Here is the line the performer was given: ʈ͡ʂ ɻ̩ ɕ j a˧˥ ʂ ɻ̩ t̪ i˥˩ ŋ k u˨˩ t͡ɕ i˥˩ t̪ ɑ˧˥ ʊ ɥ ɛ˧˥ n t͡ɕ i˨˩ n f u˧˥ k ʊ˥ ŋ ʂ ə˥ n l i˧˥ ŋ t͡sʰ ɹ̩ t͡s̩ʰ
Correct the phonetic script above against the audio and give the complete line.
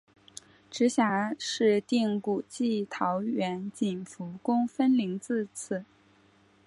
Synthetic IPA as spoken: ʈ͡ʂ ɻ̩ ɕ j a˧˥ ʂ ɻ̩ t̪ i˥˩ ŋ k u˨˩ t͡ɕ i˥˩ t̪ʰ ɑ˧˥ ʊ ɥ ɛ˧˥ n t͡ɕ i˨˩ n f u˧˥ k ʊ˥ ŋ f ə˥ n l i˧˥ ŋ t͡s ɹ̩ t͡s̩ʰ